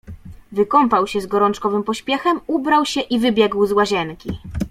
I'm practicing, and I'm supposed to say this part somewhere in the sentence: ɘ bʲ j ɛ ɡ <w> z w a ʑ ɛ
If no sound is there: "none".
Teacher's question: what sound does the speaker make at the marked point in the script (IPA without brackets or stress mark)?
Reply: w